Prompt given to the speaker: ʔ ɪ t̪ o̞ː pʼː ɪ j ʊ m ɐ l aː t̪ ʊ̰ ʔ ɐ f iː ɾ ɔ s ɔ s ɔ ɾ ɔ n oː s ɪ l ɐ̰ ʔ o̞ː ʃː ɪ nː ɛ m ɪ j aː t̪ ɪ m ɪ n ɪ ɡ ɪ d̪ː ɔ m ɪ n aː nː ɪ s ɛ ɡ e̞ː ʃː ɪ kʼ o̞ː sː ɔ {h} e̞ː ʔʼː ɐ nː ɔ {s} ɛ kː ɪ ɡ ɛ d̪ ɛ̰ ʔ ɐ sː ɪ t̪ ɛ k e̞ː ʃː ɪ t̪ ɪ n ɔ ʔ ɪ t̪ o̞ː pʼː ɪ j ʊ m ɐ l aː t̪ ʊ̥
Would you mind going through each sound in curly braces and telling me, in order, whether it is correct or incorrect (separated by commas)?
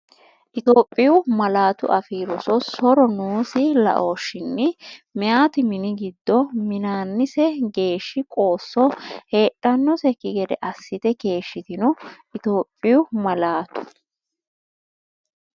correct, correct